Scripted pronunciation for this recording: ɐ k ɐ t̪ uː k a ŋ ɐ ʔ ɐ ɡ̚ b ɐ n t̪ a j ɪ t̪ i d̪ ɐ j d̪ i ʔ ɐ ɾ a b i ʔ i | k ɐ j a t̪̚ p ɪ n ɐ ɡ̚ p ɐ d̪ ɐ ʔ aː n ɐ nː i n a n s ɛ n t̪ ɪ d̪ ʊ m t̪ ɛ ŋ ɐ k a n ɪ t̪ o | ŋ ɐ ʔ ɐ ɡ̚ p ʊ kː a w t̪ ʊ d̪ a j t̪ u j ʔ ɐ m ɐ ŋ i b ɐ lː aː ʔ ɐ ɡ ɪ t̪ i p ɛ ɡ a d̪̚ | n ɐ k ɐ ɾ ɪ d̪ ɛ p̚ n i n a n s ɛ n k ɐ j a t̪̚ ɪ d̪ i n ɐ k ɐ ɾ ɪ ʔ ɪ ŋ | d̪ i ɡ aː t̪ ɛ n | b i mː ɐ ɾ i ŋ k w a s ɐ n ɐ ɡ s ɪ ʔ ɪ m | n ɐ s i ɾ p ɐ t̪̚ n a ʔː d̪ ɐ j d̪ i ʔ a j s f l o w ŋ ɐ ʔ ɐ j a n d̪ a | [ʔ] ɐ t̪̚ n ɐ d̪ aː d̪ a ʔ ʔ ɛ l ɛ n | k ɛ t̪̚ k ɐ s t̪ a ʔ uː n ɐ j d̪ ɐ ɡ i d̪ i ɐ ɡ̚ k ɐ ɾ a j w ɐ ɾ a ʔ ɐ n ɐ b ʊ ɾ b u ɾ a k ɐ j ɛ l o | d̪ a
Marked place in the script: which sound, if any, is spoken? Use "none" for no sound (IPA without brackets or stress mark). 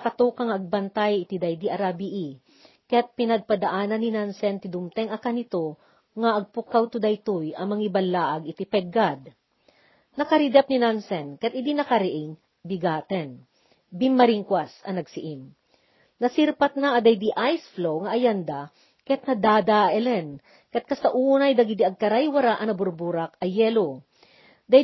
k